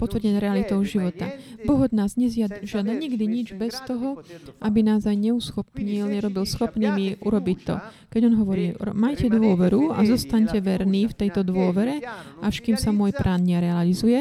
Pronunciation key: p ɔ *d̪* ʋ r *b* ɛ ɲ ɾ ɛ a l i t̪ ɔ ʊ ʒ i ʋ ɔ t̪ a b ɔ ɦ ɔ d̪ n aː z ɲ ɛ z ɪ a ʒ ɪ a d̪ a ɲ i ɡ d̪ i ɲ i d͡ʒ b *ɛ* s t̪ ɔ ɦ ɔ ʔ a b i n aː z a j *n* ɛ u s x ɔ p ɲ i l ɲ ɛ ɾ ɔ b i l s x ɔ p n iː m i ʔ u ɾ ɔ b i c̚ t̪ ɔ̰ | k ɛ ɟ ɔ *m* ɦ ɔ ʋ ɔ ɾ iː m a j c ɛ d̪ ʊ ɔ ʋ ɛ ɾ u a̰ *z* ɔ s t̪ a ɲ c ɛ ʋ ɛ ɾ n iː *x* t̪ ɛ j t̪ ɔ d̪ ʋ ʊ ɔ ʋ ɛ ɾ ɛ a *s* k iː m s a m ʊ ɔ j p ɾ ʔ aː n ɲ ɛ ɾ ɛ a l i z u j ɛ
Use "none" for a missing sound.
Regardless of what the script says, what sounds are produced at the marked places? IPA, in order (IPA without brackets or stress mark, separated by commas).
t̪, ɟ, ɛ, ɲ, n, z, f, ʃ